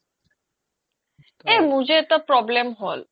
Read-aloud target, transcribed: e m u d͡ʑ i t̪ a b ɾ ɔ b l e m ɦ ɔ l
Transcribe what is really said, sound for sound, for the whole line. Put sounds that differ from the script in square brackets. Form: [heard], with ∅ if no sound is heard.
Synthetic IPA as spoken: e m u d͡ʑ [e] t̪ a [p] ɾ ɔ b l e m ɦ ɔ l